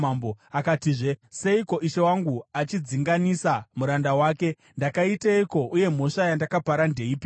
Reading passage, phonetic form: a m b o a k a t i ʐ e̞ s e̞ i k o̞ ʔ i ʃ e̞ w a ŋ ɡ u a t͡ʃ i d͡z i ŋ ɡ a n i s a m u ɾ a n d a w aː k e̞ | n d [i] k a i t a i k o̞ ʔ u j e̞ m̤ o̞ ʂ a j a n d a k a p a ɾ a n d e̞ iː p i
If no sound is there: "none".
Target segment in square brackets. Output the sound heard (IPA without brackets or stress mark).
a